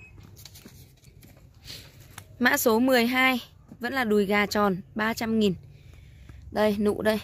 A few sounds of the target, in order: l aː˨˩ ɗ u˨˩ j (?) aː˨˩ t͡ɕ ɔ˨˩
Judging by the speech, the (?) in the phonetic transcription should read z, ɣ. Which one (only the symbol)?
ɣ